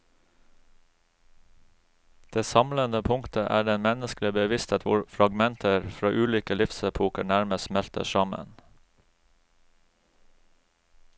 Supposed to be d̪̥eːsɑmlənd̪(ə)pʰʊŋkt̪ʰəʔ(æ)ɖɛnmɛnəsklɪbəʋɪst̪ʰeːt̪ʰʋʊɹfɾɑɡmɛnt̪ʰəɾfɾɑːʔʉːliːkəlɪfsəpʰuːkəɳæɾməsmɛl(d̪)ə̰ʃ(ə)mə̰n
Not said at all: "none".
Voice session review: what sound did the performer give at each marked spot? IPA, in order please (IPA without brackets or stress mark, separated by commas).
ə, æː, t̪, ɑ